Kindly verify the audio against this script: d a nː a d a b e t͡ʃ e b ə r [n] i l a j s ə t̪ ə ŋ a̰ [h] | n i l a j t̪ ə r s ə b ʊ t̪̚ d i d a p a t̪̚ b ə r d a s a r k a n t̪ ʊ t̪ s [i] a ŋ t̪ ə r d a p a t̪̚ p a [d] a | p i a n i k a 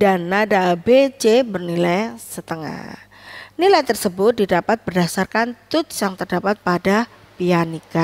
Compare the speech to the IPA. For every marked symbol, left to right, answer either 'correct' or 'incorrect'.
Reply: correct, correct, incorrect: j, correct

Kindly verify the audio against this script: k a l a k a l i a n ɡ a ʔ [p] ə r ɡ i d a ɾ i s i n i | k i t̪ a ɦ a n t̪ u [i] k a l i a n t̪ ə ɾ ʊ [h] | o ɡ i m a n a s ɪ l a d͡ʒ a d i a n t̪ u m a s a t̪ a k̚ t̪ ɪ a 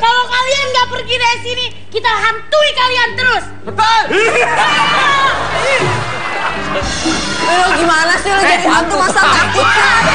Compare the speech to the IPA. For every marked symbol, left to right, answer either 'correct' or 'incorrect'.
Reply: correct, correct, incorrect: s

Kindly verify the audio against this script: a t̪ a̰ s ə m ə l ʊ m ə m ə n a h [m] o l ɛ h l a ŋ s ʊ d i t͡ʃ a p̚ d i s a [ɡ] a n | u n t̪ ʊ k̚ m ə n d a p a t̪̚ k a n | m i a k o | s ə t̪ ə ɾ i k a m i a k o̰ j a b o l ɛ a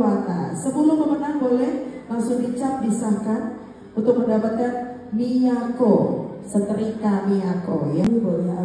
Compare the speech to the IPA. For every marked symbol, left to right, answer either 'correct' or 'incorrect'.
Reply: incorrect: b, incorrect: k

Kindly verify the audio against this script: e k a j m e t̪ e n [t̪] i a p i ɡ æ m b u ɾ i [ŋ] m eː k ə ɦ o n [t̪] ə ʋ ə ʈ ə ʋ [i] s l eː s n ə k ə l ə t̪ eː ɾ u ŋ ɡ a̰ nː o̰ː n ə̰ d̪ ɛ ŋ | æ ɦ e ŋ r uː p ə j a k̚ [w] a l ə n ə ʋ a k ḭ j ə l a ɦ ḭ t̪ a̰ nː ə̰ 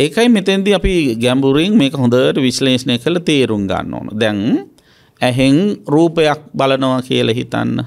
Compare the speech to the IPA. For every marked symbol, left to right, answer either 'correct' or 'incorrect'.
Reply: incorrect: d̪, correct, incorrect: d̪, correct, incorrect: b

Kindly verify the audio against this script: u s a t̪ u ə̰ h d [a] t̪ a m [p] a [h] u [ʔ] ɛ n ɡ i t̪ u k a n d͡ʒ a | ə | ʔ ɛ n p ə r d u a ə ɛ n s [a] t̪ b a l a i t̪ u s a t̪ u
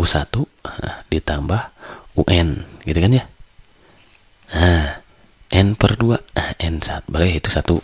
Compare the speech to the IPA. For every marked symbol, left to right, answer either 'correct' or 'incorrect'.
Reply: incorrect: i, incorrect: b, correct, correct, correct

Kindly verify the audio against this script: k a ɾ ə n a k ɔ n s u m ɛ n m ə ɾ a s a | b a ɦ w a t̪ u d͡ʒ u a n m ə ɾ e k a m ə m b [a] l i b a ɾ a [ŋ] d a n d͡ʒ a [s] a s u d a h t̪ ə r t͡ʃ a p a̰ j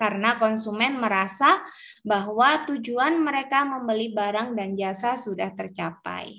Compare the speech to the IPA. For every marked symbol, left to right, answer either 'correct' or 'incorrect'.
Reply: incorrect: ə, correct, correct

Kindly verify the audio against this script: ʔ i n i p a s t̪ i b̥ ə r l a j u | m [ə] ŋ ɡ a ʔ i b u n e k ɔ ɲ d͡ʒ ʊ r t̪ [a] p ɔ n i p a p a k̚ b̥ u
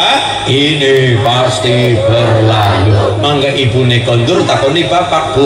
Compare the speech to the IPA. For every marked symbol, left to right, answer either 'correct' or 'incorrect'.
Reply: incorrect: a, correct

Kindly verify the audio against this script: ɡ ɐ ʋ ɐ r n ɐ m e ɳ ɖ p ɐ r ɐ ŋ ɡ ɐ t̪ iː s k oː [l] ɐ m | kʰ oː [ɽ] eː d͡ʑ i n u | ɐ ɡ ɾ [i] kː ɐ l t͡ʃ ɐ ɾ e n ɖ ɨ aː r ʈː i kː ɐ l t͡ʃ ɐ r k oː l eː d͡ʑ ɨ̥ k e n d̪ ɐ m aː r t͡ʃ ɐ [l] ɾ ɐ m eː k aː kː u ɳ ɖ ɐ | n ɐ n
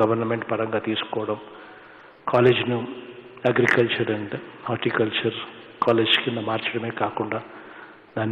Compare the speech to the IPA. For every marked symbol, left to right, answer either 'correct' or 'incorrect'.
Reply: incorrect: ɽ, incorrect: l, correct, incorrect: none

